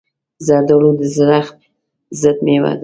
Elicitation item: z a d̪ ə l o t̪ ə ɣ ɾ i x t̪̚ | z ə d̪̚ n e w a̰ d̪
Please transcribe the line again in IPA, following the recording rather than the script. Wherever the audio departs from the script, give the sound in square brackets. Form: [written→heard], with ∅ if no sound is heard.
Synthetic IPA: z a d̪ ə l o [t̪→d̪] ə [ɣ→z] ɾ [i→a] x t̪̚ | z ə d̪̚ [n→m] e w a̰ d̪